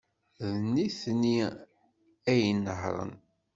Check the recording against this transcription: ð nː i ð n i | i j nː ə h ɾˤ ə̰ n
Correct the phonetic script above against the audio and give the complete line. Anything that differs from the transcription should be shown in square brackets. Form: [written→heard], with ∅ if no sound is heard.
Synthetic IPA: ð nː i [ð→θ] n i | [i→æ] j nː ə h ɾˤ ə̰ n